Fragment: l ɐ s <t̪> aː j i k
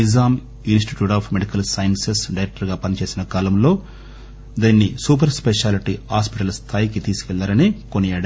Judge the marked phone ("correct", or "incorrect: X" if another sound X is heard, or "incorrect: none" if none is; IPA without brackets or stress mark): incorrect: t̪ʰ